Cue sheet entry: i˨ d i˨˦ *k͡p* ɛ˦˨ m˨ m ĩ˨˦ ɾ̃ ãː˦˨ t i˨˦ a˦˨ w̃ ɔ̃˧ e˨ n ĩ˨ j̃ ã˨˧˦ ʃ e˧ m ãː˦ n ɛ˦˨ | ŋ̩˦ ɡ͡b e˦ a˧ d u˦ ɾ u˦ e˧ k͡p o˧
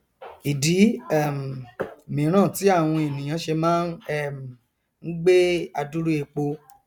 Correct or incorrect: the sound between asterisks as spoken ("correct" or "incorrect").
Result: incorrect